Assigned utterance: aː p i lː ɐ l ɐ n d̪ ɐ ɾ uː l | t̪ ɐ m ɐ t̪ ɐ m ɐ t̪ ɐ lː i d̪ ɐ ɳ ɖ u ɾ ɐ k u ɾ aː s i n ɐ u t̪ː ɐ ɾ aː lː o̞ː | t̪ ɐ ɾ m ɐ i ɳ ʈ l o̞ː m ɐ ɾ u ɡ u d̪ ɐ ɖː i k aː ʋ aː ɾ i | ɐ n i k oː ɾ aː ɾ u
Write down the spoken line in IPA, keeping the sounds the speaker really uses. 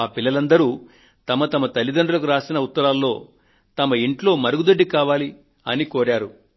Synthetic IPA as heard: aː p i lː ɐ l ɐ n d̪ ɐ ɾ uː | t̪ ɐ m ɐ t̪ ɐ m ɐ t̪ ɐ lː i d̪ ɐ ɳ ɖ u l ɐ k u ɾ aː s i n ɐ u t̪ː ɐ ɾ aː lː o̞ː | t̪ ɐ m ɐ i ɳ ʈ l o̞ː m ɐ ɾ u ɡ u d̪ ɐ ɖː i k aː ʋ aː l i | ɐ n i k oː ɾ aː ɾ u